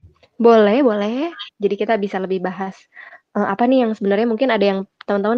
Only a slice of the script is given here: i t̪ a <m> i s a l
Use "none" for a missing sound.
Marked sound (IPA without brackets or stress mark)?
b